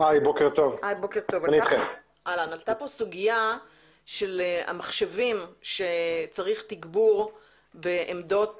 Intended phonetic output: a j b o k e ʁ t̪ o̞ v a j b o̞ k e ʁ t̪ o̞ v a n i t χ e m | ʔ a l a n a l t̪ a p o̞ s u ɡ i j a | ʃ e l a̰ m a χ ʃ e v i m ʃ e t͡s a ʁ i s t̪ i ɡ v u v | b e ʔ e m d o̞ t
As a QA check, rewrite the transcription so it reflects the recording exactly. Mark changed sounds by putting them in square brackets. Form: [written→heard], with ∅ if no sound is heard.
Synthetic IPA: a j b o k e ʁ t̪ o̞ v a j b o̞ k e ʁ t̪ o̞ v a n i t χ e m | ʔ a l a n a l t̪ a p o̞ s u ɡ i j a | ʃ e l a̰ m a χ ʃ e v i m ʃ e t͡s a ʁ i [s→χ] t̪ i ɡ [v→b] u [v→ʁ] | b e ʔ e m d o̞ t